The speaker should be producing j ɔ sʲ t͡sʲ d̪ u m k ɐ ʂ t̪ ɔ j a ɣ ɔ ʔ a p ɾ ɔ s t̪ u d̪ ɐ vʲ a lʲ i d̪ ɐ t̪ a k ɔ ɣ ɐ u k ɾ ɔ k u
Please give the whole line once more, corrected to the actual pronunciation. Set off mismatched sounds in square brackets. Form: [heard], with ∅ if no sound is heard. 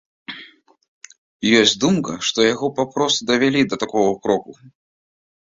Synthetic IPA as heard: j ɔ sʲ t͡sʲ d̪ u m k ɐ ʂ t̪ ɔ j a ɣ ɔ [p] a p ɾ ɔ s t̪ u d̪ ɐ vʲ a lʲ i d̪ ɐ t̪ a k ɔ ɣ ɐ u k ɾ ɔ k u

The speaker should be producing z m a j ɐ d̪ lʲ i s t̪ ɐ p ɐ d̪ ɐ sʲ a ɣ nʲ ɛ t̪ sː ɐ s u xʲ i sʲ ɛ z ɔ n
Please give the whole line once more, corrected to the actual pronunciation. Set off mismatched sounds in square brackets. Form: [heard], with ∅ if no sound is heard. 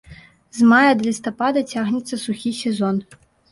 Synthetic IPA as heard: z m a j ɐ d̪ lʲ i s t̪ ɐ p [a] d̪ ɐ [t͡sʲ] a ɣ nʲ ɛ t̪ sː ɐ s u xʲ i sʲ ɛ z ɔ n

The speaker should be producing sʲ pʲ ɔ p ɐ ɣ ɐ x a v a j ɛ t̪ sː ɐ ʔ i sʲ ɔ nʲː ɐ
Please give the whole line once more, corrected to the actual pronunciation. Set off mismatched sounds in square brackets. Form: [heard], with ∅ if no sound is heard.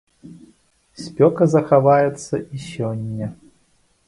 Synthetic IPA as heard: sʲ pʲ ɔ [k] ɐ [z] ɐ x a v a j ɛ t̪ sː ɐ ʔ i sʲ ɔ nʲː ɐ

